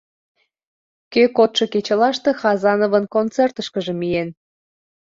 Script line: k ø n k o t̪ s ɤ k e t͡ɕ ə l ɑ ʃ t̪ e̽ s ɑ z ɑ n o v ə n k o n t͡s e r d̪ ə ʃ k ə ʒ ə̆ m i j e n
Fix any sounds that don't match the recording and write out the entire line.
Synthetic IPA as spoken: k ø k o t̪ ʃ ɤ k e t͡ɕ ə l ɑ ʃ t̪ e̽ x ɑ z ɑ n o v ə n k o n t͡s e r t̪ ə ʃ k ə ʒ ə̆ m i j e n

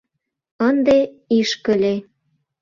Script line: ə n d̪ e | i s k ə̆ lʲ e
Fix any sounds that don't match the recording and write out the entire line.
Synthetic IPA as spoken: ə n d̪ e | i ʃ k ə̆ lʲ e

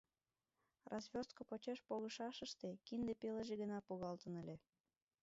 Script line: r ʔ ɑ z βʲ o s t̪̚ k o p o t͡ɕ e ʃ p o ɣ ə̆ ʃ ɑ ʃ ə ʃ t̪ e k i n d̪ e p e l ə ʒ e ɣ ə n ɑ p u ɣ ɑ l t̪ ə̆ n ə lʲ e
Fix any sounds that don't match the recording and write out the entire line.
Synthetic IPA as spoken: r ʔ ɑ z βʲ o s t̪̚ k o p o t͡ɕ e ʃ p o ɣ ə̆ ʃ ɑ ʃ ə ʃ t̪ e k i n d̪ e p e l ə ʒ e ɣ ə n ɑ p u ɣ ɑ l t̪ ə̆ n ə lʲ e

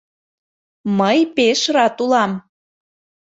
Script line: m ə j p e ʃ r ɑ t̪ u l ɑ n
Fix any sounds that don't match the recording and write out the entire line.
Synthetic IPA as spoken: m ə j p e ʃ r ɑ t̪ u l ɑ m

